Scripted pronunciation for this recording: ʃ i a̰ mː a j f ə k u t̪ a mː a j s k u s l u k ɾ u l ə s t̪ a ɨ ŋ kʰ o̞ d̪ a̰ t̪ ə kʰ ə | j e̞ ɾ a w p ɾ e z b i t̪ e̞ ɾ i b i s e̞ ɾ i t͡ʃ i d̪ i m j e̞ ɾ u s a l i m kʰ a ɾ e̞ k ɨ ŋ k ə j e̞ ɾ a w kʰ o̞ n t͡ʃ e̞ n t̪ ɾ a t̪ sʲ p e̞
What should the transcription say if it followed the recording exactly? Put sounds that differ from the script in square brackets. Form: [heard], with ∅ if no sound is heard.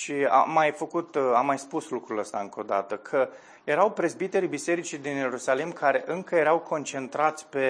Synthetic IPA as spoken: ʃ i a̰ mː a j f ə k u t̪ a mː a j s [p] u s l u k ɾ u l ə s t̪ a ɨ ŋ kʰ o̞ d̪ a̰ t̪ ə kʰ ə | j e̞ ɾ a w p ɾ e z b i t̪ e̞ ɾ i b i s e̞ ɾ i t͡ʃ i d̪ i [n] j e̞ ɾ u s a l i m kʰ a ɾ e̞ [ʔ] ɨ ŋ k ə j e̞ ɾ a w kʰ o̞ n t͡ʃ e̞ n t̪ ɾ a t̪ sʲ p e̞